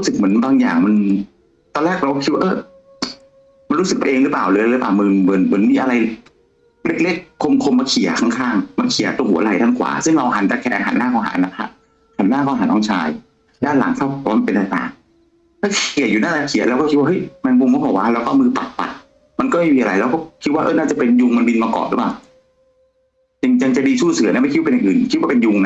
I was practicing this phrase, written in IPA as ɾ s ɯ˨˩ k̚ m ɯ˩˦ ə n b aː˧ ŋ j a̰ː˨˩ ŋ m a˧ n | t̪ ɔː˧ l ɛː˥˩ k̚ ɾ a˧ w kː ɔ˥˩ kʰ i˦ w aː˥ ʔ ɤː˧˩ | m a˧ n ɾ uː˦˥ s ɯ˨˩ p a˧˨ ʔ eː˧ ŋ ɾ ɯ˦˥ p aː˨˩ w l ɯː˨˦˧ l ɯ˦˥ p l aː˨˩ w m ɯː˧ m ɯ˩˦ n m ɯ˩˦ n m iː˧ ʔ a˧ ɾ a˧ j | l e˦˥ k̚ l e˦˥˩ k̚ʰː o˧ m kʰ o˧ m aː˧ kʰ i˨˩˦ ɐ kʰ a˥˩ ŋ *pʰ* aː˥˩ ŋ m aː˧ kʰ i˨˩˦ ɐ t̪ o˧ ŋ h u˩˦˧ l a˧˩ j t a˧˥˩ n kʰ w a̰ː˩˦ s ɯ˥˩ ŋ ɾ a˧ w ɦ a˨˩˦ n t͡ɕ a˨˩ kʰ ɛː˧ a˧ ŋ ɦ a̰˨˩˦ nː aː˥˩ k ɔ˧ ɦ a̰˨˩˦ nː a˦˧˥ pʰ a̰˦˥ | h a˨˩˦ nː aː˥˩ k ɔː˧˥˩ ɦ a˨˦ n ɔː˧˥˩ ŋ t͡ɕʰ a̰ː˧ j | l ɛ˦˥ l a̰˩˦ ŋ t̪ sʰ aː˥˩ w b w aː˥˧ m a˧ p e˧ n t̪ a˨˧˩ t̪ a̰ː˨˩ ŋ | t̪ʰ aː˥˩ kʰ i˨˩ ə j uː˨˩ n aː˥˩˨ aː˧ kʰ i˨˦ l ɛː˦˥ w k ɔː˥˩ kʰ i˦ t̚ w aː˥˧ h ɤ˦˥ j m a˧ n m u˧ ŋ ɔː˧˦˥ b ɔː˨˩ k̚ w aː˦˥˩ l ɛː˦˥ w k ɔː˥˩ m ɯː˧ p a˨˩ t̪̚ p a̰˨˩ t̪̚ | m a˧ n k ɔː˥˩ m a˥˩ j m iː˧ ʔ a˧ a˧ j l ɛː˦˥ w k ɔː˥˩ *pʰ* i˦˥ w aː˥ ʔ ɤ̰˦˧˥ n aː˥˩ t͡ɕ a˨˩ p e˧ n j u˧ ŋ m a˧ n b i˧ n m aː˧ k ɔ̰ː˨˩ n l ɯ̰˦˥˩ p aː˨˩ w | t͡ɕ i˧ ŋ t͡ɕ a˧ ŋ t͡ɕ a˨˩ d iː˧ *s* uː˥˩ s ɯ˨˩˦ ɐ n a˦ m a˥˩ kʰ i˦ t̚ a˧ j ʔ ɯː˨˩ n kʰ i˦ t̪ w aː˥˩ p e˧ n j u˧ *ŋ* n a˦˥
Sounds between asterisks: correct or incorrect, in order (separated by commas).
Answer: incorrect, incorrect, correct, correct